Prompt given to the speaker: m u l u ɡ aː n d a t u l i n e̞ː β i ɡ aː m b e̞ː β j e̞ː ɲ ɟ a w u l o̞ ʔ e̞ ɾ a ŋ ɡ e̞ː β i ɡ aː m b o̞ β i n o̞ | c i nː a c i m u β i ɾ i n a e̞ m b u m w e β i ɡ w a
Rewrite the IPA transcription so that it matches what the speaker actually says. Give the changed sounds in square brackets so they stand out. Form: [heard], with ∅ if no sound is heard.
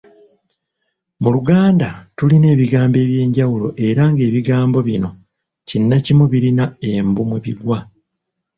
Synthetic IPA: m u l u ɡ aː n d a t u l i n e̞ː β i ɡ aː m b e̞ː β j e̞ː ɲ ɟ a w u l o̞ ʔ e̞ ɾ a ŋ ɡ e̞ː β i ɡ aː m b o̞ β i n o̞ | c i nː a c i m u β i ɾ i n a e̞ m b u m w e β i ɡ w a